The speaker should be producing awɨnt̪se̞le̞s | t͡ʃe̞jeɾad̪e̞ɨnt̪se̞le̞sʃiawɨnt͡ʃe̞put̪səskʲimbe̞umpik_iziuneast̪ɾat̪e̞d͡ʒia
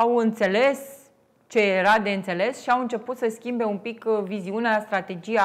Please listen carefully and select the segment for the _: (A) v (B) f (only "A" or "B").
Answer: A